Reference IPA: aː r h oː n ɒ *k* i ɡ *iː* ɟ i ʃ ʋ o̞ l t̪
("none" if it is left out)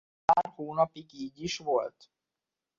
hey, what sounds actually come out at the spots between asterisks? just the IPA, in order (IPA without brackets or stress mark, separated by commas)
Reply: p, iː